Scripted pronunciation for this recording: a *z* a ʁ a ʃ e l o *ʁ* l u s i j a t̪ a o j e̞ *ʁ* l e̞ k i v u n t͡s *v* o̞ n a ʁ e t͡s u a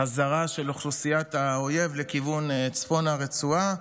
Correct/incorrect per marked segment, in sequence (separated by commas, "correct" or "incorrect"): correct, incorrect, incorrect, incorrect